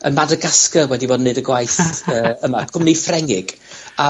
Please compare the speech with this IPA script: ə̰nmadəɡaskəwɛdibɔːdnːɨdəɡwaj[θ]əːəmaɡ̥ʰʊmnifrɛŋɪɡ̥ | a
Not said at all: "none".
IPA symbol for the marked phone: θ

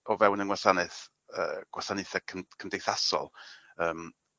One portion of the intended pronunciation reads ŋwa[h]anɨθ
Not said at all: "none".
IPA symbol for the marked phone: s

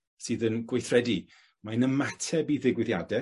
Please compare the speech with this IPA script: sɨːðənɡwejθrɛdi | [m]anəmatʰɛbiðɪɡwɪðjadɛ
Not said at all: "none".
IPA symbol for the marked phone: m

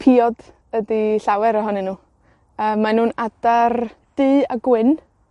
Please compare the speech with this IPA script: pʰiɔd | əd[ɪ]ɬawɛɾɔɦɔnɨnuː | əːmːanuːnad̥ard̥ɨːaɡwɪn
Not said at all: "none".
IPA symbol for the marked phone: i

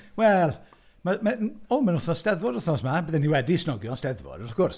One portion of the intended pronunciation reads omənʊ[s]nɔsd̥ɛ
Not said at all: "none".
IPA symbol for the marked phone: θ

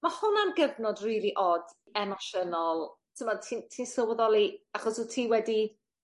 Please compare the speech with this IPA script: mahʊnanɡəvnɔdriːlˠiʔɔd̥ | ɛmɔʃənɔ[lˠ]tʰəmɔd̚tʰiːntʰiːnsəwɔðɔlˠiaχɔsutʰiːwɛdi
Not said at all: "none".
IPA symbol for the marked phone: lˠ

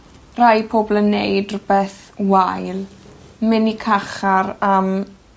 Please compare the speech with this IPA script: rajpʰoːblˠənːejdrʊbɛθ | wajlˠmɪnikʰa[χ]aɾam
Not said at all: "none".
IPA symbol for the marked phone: χ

